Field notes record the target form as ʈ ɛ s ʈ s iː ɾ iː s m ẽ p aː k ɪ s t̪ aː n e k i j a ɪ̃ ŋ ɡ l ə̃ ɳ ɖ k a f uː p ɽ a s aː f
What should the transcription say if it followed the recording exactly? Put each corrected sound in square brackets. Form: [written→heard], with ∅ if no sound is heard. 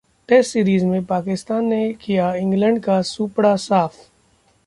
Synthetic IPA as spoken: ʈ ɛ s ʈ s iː ɾ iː [s→z] m ẽ p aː k ɪ s t̪ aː [n→nː] e k i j a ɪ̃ ŋ ɡ l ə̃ ɳ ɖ k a [f→s] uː p ɽ a s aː f